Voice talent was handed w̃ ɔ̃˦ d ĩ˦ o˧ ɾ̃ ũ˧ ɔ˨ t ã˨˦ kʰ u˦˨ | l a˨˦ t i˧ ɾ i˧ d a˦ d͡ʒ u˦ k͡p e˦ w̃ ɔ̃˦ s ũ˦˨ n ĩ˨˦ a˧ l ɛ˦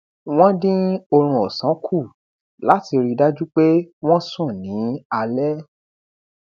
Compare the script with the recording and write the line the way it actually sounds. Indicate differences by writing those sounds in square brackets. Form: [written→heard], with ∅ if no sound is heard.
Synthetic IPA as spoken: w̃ ɔ̃˦ d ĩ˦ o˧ ɾ̃ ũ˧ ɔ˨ [t→s] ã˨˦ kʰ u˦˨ | l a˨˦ t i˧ ɾ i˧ d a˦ d͡ʒ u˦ k͡p e˦ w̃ ɔ̃˦ s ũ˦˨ n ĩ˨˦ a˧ l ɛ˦